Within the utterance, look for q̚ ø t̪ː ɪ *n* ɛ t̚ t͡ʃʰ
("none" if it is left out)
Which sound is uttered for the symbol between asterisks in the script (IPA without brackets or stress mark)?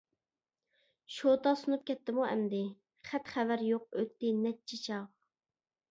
n